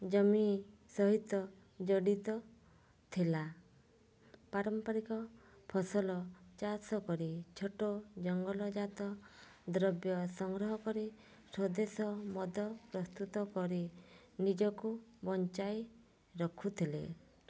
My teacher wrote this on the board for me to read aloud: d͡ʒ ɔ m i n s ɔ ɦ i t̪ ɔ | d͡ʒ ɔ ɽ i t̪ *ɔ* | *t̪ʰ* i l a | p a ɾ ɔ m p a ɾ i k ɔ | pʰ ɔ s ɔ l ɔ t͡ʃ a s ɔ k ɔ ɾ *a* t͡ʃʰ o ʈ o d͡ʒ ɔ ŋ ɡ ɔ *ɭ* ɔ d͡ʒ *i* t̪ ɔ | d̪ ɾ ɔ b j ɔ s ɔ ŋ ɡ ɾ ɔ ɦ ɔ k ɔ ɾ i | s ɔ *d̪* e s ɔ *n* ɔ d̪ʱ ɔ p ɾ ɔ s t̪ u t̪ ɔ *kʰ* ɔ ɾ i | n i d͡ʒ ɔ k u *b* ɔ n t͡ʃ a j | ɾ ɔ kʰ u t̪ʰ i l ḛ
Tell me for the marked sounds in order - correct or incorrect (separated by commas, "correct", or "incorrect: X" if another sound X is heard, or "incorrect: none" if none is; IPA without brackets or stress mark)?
correct, correct, incorrect: i, incorrect: l, incorrect: a, correct, incorrect: m, incorrect: k, correct